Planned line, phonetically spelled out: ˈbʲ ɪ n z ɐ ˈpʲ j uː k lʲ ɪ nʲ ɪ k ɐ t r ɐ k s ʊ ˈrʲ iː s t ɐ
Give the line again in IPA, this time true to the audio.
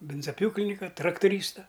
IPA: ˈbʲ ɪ n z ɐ ˈpʲ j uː k lʲ ɪ nʲ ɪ k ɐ t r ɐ k t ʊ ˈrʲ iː s t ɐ